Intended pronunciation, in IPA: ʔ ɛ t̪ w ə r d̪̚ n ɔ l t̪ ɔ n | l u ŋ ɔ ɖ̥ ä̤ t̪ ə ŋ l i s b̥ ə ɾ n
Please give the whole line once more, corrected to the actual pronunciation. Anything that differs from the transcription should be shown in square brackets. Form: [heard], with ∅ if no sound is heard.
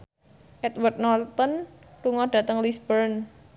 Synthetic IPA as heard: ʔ ɛ t̪ w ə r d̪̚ n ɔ l t̪ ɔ n | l u ŋ ɔ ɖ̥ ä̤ t̪ ə ŋ l i s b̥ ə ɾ n